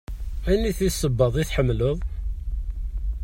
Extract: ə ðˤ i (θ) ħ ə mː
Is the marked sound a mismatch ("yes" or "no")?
no